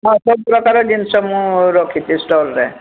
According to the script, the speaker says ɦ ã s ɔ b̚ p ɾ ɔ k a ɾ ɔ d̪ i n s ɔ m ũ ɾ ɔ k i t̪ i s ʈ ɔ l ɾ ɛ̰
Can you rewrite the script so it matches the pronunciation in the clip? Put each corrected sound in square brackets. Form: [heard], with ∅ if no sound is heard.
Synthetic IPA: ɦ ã s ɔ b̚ p ɾ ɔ k a ɾ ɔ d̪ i n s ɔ m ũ ɾ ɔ [kʰ] i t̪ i s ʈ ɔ l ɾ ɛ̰